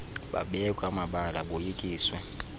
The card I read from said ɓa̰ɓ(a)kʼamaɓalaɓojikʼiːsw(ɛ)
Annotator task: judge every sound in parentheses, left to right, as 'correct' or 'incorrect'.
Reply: incorrect: ɛ, correct

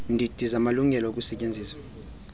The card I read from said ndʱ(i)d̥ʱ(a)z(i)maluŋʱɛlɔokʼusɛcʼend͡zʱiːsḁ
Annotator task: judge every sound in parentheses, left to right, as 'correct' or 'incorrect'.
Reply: correct, incorrect: i, incorrect: a

